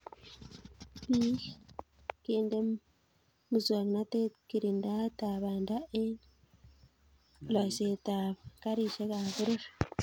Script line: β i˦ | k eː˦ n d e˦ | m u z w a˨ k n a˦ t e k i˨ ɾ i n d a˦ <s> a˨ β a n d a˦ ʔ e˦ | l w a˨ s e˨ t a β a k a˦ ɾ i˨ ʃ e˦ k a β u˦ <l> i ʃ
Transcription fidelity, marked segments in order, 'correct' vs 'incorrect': incorrect, incorrect

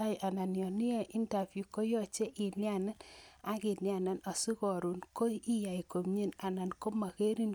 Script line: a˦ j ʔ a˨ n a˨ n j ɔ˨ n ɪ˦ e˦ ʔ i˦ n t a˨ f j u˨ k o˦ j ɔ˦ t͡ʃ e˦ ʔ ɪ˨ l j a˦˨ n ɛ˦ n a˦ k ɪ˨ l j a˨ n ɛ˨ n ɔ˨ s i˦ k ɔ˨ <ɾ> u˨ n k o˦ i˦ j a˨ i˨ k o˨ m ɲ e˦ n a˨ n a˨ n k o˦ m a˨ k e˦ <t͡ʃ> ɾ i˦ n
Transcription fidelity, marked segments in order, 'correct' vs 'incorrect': correct, incorrect

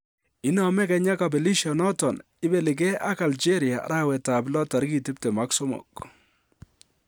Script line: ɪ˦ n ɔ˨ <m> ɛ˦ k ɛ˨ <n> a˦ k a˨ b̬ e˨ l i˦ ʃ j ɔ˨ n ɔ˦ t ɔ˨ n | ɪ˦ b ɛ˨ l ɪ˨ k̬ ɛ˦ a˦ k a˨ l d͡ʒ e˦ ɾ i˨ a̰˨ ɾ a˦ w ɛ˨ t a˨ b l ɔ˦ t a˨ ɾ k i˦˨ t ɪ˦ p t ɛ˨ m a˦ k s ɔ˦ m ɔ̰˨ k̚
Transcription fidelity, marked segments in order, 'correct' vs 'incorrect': correct, incorrect

